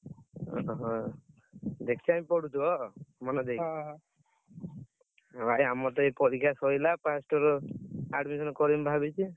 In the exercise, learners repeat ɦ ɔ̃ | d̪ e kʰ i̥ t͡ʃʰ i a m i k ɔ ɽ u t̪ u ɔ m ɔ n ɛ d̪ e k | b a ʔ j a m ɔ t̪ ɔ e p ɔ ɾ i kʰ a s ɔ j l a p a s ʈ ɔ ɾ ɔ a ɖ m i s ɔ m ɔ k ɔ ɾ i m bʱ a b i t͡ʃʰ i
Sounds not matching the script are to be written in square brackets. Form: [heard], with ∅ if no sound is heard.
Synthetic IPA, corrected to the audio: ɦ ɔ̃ | d̪ e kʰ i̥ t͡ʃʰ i a m i [p] ɔ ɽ u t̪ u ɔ m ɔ n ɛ d̪ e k | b a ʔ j a m ɔ t̪ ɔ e p ɔ ɾ i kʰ a s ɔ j l a p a s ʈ ɔ ɾ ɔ a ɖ m i s ɔ [n] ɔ k ɔ ɾ i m bʱ a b i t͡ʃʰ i

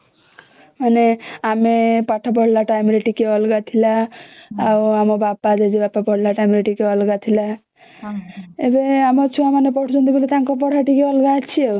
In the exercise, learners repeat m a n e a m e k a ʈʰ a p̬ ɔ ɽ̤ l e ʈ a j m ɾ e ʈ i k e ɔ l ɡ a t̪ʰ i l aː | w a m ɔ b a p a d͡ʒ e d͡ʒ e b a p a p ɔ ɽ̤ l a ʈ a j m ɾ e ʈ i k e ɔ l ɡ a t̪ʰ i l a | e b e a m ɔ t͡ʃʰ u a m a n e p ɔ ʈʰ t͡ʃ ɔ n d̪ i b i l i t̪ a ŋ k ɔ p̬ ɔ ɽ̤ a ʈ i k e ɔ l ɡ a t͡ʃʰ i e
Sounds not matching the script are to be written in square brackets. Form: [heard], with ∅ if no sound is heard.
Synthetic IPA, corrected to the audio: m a n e a m e [p] a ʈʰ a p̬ ɔ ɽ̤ l [a] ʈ a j m ɾ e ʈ i k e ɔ l ɡ a t̪ʰ i l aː | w a m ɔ b a p a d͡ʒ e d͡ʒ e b a p a p ɔ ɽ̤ l a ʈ a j m ɾ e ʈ i k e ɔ l ɡ a t̪ʰ i l a | e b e a m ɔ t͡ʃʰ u a m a n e p ɔ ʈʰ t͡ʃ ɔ n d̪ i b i l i t̪ a ŋ k ɔ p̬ ɔ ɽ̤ a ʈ i k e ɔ l ɡ a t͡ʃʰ i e

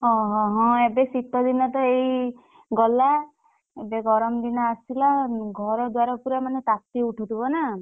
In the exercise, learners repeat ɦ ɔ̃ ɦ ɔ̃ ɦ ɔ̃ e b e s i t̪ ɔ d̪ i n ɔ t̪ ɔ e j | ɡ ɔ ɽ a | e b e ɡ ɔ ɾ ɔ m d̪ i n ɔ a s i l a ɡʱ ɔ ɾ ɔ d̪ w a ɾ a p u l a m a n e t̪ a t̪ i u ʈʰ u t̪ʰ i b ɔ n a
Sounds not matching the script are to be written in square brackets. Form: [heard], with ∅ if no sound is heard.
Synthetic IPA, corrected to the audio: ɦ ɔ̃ ɦ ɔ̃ ɦ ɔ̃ e b e s i t̪ ɔ d̪ i n ɔ t̪ ɔ e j | ɡ ɔ [l] a | e b e ɡ ɔ ɾ ɔ m d̪ i n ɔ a s i l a ɡʱ ɔ ɾ ɔ d̪ w a ɾ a p u [ɾ] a m a n e t̪ a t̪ i u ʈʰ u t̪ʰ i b ɔ n a

